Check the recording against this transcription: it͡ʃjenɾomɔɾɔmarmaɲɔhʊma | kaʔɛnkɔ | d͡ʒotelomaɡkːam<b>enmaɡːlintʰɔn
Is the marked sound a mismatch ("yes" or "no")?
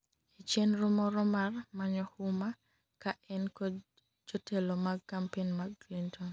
yes